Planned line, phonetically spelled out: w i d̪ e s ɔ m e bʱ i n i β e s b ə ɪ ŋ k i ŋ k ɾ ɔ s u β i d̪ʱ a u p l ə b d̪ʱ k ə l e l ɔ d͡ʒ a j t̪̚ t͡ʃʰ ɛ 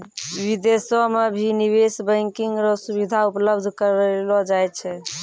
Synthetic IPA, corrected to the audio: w i d̪ e s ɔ m e bʱ i n i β e s b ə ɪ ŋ k i ŋ ɡ ɾ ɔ s u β i d̪ʱ a u p l ə b d̪ʱ k ə ɾ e l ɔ d͡ʒ a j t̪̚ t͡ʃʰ ɛ